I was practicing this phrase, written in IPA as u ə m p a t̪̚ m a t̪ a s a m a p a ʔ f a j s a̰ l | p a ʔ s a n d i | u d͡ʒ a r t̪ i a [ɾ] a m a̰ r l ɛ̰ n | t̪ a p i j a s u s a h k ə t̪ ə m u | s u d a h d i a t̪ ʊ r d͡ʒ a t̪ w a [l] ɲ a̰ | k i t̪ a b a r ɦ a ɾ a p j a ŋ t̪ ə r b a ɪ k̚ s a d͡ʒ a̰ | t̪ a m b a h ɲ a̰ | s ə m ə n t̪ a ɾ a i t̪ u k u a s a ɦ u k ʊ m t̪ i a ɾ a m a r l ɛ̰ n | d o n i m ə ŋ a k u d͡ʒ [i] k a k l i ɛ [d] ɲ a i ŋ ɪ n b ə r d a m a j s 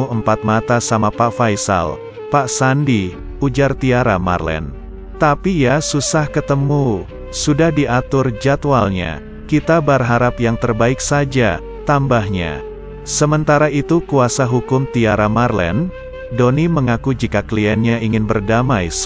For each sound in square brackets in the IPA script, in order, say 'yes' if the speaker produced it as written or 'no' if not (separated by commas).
yes, yes, yes, no